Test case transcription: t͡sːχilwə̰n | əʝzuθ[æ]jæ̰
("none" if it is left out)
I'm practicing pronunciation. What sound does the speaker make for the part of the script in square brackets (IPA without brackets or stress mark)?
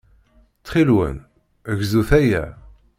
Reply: æ